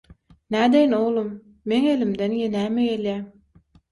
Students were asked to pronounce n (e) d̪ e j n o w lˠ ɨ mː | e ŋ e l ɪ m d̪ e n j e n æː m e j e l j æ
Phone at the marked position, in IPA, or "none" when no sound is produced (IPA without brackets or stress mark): æ